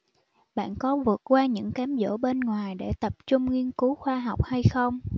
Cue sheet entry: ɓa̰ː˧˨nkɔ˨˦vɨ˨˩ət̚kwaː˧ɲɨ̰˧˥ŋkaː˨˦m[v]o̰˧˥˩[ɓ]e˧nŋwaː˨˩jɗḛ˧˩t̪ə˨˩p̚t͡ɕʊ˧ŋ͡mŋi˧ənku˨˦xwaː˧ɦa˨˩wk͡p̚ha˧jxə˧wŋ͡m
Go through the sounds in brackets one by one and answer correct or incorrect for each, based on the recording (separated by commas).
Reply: incorrect, correct